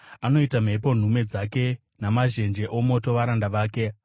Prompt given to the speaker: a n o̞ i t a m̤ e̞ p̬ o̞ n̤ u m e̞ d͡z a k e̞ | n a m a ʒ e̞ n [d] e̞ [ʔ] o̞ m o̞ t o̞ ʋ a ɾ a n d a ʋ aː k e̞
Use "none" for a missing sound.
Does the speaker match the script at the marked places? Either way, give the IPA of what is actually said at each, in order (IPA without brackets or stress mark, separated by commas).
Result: d͡ʒ, ʔ